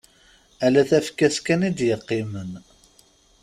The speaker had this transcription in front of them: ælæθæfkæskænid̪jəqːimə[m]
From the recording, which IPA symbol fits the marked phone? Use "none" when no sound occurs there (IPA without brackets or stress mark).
n